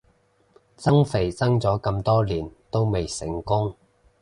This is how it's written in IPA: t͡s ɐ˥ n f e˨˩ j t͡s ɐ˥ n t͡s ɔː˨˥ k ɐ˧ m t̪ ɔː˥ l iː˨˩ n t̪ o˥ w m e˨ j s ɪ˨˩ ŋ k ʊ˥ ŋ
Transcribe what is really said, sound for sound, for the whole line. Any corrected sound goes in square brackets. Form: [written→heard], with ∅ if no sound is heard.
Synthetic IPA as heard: t͡s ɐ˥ [n→ŋ] f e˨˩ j t͡s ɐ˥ [n→ŋ] t͡s ɔː˨˥ k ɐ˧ m t̪ ɔː˥ l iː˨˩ n t̪ o˥ w m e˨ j s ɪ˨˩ ŋ k ʊ˥ ŋ